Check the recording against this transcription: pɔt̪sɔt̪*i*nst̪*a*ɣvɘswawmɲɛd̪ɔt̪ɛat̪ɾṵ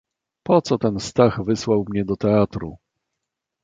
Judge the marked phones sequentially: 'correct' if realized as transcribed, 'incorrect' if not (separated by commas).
incorrect, correct